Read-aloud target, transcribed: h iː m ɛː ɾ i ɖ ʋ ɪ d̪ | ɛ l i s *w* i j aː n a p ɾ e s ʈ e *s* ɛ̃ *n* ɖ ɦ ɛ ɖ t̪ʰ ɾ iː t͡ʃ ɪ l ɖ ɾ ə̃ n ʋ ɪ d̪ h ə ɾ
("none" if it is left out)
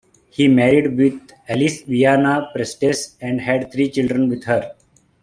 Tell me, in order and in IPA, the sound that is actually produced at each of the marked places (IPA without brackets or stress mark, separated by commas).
ʋ, s, ɳ